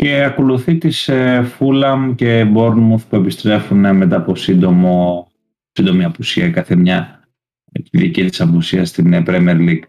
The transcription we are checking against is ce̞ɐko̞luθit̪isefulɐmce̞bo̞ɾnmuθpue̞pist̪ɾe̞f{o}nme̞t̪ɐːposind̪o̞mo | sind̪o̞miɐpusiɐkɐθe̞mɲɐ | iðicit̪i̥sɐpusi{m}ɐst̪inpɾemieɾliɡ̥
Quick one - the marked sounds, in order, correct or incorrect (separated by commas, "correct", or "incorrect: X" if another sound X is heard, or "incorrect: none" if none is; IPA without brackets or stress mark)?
incorrect: u, incorrect: none